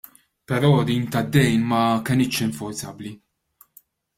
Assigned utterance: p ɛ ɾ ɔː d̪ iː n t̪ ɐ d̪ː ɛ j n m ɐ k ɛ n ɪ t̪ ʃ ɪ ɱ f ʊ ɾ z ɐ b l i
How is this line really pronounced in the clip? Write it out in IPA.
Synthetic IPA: p ɛ ɾ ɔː d̪ iː n t̪ ɐ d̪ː ɛ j n m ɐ k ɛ n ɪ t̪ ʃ ɪ ɱ f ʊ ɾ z ɐ b l i